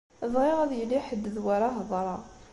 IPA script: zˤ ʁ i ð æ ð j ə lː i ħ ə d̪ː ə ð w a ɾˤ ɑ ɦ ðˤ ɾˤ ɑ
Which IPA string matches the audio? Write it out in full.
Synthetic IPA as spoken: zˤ ʁ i ʁ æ ð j ə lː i ħ ə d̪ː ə ð w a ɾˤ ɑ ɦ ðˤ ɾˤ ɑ